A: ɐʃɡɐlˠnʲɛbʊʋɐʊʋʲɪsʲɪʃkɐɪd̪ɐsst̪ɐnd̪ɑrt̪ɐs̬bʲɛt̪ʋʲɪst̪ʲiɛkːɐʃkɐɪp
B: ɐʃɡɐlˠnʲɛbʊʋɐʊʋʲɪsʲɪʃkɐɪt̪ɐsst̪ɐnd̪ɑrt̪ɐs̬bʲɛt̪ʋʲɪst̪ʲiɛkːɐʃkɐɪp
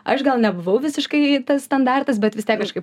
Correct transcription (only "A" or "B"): B